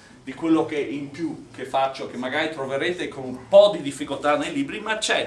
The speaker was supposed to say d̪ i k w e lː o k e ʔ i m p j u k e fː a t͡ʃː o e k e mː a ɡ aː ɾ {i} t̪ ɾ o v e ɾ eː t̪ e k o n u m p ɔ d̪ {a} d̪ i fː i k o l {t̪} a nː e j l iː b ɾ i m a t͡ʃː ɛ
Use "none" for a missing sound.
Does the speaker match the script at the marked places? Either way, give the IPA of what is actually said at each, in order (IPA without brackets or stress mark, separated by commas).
i, i, t̪